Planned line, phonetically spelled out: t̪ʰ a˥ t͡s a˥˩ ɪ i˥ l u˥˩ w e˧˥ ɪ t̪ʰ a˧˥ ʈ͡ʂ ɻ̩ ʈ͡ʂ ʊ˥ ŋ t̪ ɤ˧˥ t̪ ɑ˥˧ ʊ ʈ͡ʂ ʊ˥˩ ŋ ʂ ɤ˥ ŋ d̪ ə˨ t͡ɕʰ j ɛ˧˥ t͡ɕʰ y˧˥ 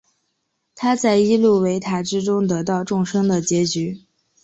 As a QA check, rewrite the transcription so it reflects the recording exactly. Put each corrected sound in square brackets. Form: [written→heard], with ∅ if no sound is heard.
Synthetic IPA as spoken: t̪ʰ a˥ t͡s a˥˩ ɪ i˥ l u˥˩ w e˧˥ ɪ t̪ʰ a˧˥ ʈ͡ʂ ɻ̩ ʈ͡ʂ ʊ˥ ŋ t̪ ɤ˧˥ t̪ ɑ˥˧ ʊ ʈ͡ʂ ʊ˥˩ ŋ ʂ ɤ˥ ŋ d̪ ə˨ [t͡ɕʰ→t͡ɕ] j ɛ˧˥ [t͡ɕʰ→t͡ɕ] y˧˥

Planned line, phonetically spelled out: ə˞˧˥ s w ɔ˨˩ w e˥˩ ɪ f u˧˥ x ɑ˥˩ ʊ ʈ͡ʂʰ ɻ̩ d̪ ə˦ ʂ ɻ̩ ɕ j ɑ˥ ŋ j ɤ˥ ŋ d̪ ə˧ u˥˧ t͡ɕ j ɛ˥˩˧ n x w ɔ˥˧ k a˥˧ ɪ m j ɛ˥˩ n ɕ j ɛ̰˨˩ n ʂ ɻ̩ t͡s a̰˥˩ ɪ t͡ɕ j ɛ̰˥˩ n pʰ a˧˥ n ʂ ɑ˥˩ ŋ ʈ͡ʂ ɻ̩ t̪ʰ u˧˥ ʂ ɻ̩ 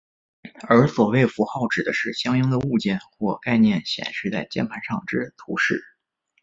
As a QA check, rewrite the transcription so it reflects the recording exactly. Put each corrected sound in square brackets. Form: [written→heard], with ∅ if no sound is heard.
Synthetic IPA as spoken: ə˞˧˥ s w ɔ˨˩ w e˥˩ ɪ f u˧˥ x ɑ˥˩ ʊ [ʈ͡ʂʰ→ʈ͡ʂ] ɻ̩ d̪ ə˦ ʂ ɻ̩ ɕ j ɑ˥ ŋ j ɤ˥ ŋ d̪ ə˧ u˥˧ t͡ɕ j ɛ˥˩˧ n x w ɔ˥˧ k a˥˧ ɪ [m→n] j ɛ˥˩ n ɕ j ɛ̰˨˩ n ʂ ɻ̩ t͡s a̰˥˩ ɪ t͡ɕ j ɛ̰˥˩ n pʰ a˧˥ n ʂ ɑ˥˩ ŋ ʈ͡ʂ ɻ̩ t̪ʰ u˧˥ ʂ ɻ̩

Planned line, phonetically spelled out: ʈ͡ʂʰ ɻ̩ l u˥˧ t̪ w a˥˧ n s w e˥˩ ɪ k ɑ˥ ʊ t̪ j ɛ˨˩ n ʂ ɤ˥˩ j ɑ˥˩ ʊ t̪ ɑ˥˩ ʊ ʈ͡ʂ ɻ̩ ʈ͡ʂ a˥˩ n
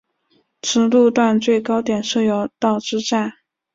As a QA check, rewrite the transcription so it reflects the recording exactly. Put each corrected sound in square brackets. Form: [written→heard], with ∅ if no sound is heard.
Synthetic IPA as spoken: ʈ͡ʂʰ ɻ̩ l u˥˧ t̪ w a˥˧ n [s→t͡s] w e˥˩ ɪ k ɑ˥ ʊ t̪ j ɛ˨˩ n ʂ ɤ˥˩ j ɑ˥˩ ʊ t̪ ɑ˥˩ ʊ ʈ͡ʂ ɻ̩ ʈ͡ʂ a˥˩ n

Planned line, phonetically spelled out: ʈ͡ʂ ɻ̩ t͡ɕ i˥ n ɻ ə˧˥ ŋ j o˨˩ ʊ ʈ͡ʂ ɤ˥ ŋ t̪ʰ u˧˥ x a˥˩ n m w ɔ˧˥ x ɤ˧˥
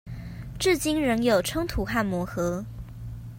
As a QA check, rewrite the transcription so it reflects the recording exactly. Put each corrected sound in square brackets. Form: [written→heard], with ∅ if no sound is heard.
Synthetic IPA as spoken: ʈ͡ʂ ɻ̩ t͡ɕ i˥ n ɻ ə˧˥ ŋ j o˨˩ ʊ [ʈ͡ʂ→ʈ͡ʂʰ] ɤ˥ ŋ t̪ʰ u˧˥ x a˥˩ n m w ɔ˧˥ x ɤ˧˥

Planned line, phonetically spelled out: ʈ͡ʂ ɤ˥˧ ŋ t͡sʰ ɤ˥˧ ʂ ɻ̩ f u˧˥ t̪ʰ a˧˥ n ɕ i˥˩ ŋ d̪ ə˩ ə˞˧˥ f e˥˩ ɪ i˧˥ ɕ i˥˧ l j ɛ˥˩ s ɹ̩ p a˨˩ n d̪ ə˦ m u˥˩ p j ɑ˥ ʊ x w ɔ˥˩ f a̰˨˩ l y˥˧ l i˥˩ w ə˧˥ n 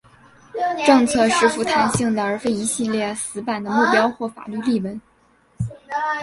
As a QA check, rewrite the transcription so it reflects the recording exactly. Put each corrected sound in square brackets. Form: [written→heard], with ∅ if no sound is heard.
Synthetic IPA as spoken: ʈ͡ʂ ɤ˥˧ ŋ t͡sʰ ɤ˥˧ ʂ ɻ̩ f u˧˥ t̪ʰ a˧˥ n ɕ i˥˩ ŋ d̪ ə˩ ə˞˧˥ f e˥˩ ɪ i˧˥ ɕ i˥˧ l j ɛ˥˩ s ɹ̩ p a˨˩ n d̪ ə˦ m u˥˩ p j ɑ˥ ʊ x w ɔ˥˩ f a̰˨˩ l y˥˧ l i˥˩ w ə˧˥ n

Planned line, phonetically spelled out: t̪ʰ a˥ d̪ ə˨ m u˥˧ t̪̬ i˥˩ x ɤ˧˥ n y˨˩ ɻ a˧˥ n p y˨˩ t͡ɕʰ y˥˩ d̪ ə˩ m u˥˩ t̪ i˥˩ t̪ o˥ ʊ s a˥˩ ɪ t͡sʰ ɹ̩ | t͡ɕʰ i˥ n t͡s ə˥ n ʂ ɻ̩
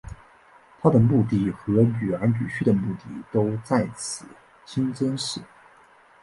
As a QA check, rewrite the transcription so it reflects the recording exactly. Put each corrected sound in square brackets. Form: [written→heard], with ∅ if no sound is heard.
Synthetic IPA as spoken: t̪ʰ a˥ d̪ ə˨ m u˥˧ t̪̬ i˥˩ x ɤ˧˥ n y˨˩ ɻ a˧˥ n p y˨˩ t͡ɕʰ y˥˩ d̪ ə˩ m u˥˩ t̪ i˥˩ t̪ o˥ ʊ [s→t͡s] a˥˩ ɪ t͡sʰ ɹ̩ | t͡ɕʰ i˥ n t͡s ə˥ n ʂ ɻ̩

